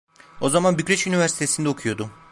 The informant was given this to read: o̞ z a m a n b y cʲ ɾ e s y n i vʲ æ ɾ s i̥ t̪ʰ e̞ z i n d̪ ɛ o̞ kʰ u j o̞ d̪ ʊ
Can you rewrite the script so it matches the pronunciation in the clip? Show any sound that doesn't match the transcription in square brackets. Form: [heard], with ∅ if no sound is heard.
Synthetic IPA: o̞ z a m a n b y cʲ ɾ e [ʃ] y n i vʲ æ ɾ s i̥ t̪ʰ e̞ [s] i n d̪ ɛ o̞ kʰ u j o̞ d̪ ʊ